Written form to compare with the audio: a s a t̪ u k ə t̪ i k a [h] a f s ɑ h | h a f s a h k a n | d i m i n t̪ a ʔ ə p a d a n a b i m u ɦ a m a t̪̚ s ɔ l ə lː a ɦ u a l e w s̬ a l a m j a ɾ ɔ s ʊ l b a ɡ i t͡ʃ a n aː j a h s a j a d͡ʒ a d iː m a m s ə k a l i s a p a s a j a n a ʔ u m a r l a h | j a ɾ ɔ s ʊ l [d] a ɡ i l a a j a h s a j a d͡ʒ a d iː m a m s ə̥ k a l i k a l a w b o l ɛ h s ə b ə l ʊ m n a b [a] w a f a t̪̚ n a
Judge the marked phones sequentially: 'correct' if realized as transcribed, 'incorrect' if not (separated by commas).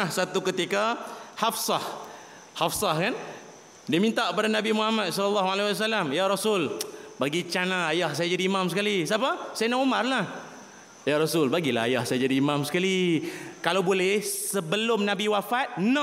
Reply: correct, incorrect, incorrect